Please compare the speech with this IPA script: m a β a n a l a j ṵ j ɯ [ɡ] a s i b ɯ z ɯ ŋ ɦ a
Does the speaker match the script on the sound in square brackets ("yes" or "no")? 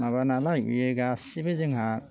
yes